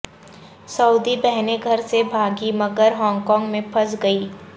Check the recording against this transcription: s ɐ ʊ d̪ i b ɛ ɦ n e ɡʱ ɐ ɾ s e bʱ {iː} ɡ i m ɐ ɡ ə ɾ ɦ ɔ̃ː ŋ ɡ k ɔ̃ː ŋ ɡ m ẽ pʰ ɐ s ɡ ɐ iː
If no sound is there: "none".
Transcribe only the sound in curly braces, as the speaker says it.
aː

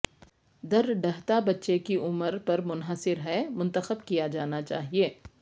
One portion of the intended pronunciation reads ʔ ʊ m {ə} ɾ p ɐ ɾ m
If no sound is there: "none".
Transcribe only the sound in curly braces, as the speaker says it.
ə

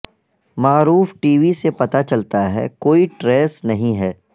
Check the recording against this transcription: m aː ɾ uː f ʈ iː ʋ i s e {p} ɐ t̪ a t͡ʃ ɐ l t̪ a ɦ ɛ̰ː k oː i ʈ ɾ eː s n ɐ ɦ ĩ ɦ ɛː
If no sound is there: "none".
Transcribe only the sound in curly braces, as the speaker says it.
p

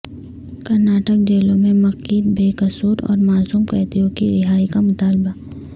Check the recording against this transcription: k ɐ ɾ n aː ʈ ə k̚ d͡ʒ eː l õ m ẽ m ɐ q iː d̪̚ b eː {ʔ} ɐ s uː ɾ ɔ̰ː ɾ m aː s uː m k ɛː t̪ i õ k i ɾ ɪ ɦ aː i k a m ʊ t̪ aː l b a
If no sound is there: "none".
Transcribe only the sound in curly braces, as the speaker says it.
k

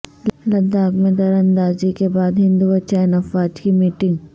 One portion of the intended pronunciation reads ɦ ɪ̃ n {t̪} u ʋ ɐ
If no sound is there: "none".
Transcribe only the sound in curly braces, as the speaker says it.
d̪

